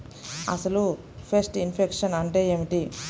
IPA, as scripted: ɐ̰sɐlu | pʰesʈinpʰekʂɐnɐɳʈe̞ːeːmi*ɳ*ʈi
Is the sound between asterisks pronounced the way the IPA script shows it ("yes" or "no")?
no